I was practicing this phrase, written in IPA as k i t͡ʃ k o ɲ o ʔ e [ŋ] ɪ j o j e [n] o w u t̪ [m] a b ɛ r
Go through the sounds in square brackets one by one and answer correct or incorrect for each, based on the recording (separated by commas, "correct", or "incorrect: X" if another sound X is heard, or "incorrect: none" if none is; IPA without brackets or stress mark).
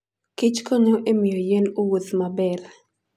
incorrect: m, correct, correct